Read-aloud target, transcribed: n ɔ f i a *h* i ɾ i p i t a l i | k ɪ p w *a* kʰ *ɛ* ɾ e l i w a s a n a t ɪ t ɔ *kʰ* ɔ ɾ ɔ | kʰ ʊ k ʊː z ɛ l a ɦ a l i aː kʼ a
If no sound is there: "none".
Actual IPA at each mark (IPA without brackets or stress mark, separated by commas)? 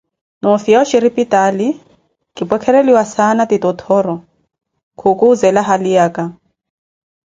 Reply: ʃ, ɛ, ɛ, tʰ